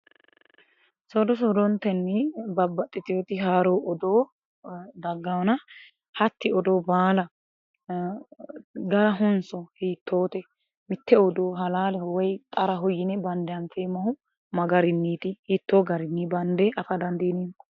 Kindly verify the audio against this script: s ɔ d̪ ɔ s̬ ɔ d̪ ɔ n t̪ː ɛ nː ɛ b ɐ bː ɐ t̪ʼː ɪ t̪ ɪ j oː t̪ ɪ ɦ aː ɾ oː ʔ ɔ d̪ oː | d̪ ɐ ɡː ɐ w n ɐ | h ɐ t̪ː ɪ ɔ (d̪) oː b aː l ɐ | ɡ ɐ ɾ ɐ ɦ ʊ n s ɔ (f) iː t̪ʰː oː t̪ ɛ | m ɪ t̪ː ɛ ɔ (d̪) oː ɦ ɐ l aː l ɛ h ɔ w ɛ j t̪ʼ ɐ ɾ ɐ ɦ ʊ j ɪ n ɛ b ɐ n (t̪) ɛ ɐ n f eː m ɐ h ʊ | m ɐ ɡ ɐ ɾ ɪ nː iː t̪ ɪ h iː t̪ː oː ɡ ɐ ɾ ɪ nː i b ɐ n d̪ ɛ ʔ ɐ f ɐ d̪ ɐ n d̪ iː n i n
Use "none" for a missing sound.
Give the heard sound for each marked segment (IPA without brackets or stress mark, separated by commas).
d̪, h, d̪, d̪